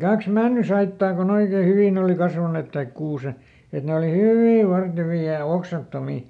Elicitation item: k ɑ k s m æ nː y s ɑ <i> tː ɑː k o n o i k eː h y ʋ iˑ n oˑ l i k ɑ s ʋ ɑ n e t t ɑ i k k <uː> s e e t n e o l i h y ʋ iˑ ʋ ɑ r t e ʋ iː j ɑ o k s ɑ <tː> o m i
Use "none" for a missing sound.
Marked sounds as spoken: i, uː, tː

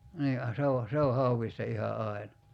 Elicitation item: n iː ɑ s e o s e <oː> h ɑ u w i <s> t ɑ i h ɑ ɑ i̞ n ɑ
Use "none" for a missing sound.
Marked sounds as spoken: o, s

